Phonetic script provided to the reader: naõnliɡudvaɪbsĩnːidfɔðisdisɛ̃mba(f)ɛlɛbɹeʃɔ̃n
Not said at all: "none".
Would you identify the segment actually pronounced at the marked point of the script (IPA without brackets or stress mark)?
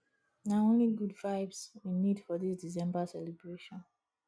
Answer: s